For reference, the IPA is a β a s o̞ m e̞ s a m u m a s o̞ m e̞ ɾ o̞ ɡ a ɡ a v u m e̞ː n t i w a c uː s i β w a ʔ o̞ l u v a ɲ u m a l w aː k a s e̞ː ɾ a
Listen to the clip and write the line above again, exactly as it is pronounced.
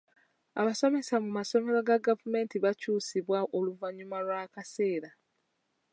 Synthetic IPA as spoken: a β a s o̞ m e̞ s a m u m a s o̞ m e̞ ɾ o̞ ɡ a ɡ a v u m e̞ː n t i β a c uː s i β w a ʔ o̞ l u v a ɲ u m a l w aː k a s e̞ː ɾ a